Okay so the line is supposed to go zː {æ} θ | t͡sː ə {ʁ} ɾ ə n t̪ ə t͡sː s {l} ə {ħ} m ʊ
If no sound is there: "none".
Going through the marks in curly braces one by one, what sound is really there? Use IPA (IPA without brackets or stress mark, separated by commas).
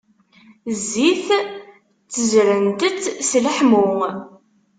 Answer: i, z, l, ħ